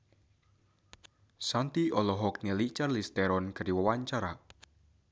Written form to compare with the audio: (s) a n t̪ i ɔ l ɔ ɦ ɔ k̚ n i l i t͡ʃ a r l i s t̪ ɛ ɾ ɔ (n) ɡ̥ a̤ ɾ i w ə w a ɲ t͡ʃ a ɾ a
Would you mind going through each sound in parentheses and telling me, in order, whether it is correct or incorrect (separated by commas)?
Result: correct, correct